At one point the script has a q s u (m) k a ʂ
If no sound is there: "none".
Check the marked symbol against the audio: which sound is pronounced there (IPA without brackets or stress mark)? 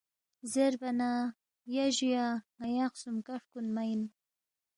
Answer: m